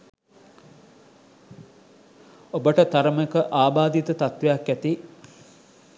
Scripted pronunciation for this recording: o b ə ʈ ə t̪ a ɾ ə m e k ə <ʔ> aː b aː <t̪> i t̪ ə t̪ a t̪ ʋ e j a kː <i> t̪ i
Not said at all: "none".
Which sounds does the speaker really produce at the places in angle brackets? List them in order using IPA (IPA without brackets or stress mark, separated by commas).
ʔ, d̪, æ